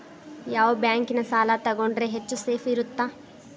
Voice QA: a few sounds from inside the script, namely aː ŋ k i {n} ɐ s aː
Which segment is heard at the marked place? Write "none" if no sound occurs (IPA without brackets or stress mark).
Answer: n